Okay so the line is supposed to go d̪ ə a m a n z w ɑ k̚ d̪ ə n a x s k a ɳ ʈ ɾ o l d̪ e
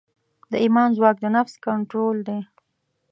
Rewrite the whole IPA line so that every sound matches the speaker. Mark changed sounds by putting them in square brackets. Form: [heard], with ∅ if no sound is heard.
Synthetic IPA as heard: d̪ ə [i] m [ɑ] n z w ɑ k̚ d̪ ə n a [f] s k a ɳ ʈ ɾ o l d̪ e